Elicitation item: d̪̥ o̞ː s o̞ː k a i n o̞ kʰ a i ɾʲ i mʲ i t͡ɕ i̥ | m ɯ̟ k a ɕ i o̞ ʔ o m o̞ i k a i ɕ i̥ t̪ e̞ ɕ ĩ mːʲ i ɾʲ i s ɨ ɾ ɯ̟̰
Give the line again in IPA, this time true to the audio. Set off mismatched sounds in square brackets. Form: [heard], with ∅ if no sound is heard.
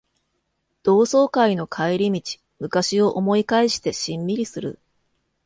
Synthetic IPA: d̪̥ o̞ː s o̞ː k a i n o̞ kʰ a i ɾʲ i mʲ i t͡ɕ i̥ | m ɯ̟ k a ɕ i o̞ ʔ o m o̞ i k a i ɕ i̥ t̪ e̞ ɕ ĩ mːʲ i ɾʲ i s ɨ ɾ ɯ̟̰

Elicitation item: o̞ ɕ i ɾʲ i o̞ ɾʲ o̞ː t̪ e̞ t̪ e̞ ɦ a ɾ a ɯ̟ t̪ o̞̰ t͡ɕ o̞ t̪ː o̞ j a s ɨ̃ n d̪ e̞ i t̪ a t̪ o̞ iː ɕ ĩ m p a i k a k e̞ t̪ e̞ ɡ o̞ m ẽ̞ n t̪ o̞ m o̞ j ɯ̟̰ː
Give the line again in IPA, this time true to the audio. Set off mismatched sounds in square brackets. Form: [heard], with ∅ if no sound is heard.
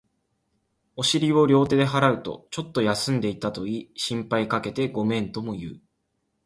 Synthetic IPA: o̞ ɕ i ɾʲ i o̞ ɾʲ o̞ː t̪ e̞ [d̪] e̞ ɦ a ɾ a ɯ̟ t̪ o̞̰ t͡ɕ o̞ t̪ː o̞ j a s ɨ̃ n d̪ e̞ i t̪ a t̪ o̞ iː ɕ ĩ m p a i k a k e̞ t̪ e̞ ɡ o̞ m ẽ̞ n t̪ o̞ m o̞ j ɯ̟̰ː

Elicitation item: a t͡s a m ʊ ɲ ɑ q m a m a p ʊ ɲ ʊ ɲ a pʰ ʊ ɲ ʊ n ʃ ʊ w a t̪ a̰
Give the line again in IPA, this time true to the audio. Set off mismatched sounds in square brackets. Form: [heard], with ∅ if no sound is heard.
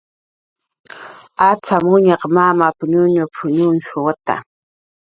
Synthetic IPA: a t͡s a m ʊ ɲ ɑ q m a m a p ʊ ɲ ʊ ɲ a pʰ ʊ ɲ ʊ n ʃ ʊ w a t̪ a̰

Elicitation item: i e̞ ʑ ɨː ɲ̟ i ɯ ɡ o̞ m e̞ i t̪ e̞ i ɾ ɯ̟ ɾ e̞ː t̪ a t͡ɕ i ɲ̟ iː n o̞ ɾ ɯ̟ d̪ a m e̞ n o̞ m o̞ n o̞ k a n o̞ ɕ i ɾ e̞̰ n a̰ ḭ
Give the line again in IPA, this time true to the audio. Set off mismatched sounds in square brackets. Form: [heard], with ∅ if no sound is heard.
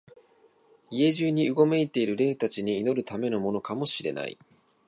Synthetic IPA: i e̞ ʑ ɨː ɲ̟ i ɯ ɡ o̞ m e̞ i t̪ e̞ i ɾ ɯ̟ ɾ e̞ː t̪ a t͡ɕ i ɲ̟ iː n o̞ ɾ ɯ̟ [t̪] a m e̞ n o̞ m o̞ n o̞ k a [m] o̞ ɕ i ɾ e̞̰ n a̰ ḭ

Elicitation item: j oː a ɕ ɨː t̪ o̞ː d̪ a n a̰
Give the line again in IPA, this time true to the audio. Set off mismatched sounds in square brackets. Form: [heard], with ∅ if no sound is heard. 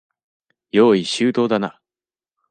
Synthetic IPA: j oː [i] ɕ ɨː t̪ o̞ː d̪ a n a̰

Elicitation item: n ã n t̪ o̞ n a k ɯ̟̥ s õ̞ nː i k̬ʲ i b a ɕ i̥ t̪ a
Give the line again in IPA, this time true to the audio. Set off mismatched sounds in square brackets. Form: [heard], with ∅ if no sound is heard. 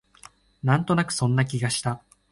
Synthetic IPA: n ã n t̪ o̞ n a k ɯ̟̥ s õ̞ nː [a] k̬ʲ i [ɡ] a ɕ i̥ t̪ a

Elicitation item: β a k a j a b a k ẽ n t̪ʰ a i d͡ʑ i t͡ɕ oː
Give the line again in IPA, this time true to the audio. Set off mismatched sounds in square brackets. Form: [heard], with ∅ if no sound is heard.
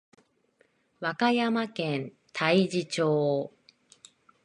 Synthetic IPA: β a k a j a [m] a k ẽ n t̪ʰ a i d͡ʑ i t͡ɕ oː

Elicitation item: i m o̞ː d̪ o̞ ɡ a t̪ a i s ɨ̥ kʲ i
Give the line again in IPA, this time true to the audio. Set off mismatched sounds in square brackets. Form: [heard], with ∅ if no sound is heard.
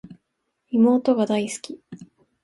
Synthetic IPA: i m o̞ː [t̪] o̞ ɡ a [d̪] a i s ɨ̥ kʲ i

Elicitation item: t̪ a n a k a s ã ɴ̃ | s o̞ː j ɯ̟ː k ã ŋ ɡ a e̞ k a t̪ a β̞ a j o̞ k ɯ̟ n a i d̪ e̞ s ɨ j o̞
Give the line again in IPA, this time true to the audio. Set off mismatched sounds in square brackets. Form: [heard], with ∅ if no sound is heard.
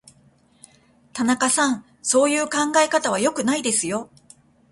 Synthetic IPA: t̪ a n a k a s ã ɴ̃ | s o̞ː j ɯ̟ː k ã ŋ ɡ a e̞ k a t̪ a β̞ a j o̞ k ɯ̟ n a i d̪ e̞ s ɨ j o̞

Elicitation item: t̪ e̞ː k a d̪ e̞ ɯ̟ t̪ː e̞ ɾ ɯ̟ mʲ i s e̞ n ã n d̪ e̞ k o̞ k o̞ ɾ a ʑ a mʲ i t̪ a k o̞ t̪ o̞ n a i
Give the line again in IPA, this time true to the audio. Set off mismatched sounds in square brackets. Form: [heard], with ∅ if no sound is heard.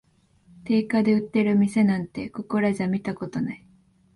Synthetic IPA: t̪ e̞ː k a d̪ e̞ ɯ̟ t̪ː e̞ ɾ ɯ̟ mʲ i s e̞ n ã n [t̪] e̞ k o̞ k o̞ ɾ a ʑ a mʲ i t̪ a k o̞ t̪ o̞ n a i

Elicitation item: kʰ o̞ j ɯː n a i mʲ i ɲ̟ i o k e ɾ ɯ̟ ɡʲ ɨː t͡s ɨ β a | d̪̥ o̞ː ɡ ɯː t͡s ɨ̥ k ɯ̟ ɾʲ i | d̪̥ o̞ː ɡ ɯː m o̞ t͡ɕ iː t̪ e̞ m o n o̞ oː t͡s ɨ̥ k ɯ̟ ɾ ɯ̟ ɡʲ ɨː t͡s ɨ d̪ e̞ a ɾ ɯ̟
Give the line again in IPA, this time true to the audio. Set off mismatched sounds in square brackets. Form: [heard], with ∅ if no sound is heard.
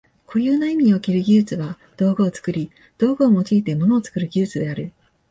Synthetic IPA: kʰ o̞ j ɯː n a i mʲ i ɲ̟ i o k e ɾ ɯ̟ ɡʲ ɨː t͡s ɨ β a | d̪̥ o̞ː ɡ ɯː t͡s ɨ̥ k ɯ̟ ɾʲ i | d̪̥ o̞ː ɡ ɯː m o̞ t͡ɕ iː t̪ e̞ m o n o̞ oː t͡s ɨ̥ k ɯ̟ ɾ ɯ̟ ɡʲ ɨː t͡s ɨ d̪ e̞ a ɾ ɯ̟

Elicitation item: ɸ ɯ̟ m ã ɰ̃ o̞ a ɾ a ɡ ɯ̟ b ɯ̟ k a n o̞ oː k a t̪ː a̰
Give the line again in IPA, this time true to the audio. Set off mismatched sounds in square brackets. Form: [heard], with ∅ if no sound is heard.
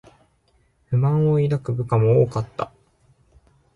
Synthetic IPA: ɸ ɯ̟ m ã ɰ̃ o̞ [i] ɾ a [k] ɯ̟ b ɯ̟ k a [m] o̞ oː k a t̪ː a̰

